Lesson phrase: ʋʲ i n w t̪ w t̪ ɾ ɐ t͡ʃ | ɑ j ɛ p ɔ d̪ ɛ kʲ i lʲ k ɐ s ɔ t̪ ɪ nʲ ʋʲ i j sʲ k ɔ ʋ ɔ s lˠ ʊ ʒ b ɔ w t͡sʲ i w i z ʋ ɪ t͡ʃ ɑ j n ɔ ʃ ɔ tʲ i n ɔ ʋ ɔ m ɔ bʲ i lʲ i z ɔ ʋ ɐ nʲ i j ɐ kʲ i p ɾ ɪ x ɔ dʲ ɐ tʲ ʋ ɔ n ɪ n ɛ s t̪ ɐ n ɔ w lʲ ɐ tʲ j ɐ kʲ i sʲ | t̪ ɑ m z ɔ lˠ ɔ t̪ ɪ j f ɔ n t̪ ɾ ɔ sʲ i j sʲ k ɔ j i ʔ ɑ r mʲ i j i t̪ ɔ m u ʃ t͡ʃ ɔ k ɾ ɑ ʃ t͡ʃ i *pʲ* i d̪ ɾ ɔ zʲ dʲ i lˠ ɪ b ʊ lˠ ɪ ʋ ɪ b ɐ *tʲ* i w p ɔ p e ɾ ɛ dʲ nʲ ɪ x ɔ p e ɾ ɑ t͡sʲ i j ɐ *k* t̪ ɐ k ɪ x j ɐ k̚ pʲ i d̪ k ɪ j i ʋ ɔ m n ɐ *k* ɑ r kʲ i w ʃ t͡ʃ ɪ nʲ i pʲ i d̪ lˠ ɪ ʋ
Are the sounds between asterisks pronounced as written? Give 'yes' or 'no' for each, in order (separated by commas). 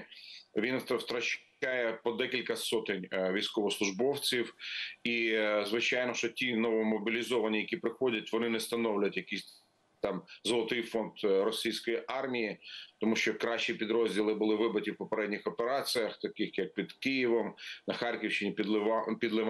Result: yes, yes, no, no